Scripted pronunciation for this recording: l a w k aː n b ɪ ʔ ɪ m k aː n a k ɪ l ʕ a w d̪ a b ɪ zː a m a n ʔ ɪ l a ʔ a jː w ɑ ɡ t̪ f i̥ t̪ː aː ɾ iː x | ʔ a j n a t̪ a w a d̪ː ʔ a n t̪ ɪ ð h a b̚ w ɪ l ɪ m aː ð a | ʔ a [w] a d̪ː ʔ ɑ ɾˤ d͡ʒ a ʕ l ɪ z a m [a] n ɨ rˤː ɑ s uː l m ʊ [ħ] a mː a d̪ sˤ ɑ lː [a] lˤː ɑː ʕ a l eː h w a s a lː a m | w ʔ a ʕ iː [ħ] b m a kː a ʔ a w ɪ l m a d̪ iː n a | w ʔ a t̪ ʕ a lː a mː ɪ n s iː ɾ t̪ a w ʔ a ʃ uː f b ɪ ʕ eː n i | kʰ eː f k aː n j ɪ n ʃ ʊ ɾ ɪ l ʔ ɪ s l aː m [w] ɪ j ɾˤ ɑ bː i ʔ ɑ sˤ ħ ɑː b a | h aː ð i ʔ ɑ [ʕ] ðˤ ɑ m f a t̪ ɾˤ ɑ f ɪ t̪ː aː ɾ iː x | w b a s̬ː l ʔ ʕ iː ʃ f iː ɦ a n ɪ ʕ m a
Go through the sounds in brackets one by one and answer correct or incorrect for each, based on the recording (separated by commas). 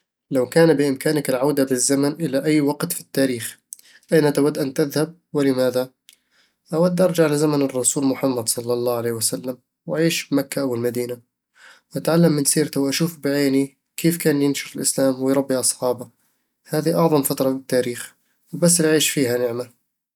correct, correct, correct, incorrect, incorrect, correct, correct